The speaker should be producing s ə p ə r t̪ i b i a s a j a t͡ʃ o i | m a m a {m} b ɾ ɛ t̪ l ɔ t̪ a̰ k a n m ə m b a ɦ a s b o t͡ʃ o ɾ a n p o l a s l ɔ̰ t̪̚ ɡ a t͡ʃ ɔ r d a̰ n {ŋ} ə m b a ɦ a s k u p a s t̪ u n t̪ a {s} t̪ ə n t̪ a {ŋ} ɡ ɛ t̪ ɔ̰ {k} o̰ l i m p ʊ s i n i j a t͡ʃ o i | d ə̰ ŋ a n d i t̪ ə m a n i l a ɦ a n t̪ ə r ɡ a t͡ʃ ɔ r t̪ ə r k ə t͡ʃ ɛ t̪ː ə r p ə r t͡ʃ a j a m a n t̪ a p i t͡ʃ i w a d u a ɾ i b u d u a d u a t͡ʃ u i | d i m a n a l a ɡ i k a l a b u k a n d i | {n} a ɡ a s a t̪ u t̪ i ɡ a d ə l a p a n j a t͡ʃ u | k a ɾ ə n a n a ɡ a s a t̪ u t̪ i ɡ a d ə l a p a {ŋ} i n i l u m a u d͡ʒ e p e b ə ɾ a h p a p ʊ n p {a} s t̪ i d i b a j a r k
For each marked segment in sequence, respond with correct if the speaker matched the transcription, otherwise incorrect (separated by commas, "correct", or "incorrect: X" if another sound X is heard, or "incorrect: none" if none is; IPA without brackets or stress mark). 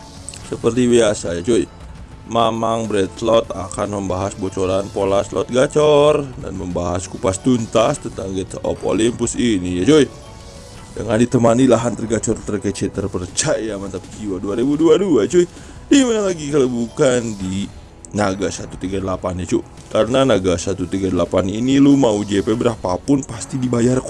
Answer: incorrect: ŋ, incorrect: m, correct, correct, incorrect: p, correct, incorrect: n, correct